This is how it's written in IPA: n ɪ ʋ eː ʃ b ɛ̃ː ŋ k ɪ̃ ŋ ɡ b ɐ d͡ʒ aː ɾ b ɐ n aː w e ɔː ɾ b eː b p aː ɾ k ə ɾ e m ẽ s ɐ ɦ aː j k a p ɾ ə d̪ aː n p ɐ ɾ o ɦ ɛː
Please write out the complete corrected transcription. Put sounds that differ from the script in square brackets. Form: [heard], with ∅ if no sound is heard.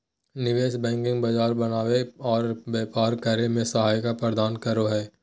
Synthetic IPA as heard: n ɪ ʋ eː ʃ b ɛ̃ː ŋ k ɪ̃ ŋ ɡ b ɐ d͡ʒ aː ɾ b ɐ n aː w e ɔː ɾ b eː [∅] p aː ɾ k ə ɾ e m ẽ s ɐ ɦ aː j k a p ɾ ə d̪ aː n [k] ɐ ɾ o ɦ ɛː